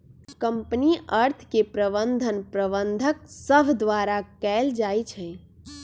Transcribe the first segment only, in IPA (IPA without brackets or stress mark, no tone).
k